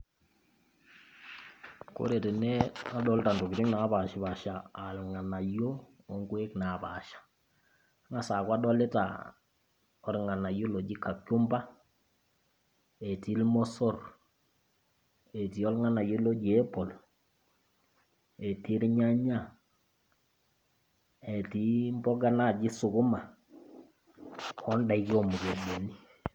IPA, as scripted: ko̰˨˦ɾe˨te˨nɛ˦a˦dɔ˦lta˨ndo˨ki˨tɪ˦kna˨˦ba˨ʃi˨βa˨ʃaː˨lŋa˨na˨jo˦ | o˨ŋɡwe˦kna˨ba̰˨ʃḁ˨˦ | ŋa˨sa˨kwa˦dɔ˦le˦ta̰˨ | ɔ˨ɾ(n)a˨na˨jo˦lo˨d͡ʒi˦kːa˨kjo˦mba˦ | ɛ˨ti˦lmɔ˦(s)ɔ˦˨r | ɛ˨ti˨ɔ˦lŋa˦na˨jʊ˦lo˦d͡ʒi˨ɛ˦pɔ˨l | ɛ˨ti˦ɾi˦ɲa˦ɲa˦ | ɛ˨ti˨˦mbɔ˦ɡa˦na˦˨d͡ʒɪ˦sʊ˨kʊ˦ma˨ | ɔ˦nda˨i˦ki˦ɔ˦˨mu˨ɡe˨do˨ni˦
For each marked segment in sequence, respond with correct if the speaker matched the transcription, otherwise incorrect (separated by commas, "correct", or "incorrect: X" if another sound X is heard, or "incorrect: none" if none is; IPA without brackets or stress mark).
incorrect: ŋ, correct